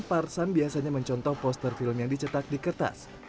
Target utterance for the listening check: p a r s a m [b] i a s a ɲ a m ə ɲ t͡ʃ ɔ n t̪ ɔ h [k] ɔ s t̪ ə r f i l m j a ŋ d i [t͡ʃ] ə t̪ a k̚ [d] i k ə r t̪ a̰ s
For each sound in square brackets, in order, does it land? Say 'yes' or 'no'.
yes, no, yes, yes

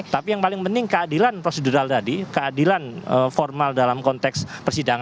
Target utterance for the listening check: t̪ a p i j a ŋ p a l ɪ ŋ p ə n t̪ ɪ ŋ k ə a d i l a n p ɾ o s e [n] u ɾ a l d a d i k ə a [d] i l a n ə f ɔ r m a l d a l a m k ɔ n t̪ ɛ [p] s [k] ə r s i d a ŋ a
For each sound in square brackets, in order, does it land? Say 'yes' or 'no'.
no, yes, no, no

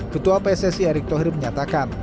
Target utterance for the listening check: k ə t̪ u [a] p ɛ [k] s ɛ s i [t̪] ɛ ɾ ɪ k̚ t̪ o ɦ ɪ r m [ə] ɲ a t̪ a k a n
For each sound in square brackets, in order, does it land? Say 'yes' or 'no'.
yes, no, no, yes

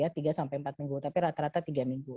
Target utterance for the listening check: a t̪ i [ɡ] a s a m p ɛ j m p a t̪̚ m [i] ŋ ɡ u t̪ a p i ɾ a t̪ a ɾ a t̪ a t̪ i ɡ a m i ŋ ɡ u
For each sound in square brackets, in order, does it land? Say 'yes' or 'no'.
yes, yes

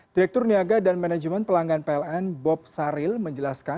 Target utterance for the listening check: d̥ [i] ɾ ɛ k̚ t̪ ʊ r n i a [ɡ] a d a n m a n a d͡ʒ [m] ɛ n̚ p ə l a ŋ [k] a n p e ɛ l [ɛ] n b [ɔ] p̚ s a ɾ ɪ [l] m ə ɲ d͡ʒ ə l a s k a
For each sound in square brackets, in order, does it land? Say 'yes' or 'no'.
yes, yes, yes, no, yes, yes, yes

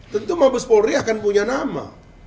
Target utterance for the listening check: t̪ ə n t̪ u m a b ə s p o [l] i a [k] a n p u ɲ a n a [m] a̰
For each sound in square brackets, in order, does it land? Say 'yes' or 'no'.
no, yes, yes

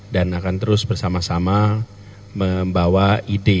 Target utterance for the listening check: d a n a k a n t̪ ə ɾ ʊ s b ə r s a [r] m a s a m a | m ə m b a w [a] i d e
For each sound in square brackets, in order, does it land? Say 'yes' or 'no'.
no, yes

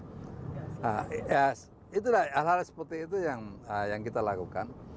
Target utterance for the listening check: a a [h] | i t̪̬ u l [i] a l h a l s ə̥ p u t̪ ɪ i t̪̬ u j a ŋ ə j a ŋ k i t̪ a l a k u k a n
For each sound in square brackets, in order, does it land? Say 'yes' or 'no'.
no, no

